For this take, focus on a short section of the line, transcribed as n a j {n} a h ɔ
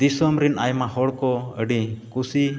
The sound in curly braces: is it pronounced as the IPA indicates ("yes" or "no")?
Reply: no